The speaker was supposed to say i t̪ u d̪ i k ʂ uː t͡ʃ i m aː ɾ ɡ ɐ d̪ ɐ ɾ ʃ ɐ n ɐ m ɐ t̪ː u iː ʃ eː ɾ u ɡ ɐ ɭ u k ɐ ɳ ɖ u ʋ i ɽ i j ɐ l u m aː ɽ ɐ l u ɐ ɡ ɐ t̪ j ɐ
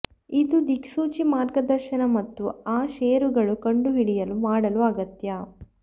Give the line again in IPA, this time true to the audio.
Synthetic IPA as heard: i d̪ u d̪ i k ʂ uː t͡ʃ i m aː ɾ ɡ ɐ d̪ ɐ ɾ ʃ ɐ n ɐ m ɐ t̪ː u aː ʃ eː ɾ u ɡ ɐ ɭ u k ɐ ɳ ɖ u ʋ i ɽ i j ɐ l u m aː ɽ ɐ l u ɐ ɡ ɐ t̪ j ɐ